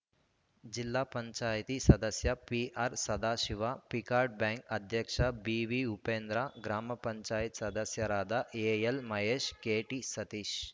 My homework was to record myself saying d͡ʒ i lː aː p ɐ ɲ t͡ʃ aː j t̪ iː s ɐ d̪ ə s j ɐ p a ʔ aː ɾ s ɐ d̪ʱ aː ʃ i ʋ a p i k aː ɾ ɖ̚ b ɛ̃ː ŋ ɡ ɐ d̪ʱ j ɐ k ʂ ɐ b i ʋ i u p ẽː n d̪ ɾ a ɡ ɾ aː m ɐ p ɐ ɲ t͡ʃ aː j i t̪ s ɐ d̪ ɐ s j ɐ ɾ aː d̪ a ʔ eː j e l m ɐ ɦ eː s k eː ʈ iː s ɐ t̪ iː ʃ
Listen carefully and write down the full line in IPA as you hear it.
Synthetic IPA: d͡ʒ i lː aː p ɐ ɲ t͡ʃ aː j t̪ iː s ɐ d̪ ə s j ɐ p i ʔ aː ɾ s ɐ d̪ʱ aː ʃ i ʋ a p i k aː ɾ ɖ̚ b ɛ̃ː ŋ k ɐ d̪ʱ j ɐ k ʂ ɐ b i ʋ i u p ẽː n d̪ ɾ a ɡ ɾ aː m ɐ p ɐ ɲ t͡ʃ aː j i t̪ s ɐ d̪ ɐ s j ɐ ɾ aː d̪ a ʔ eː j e l m ɐ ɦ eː ʃ k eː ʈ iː s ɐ t̪ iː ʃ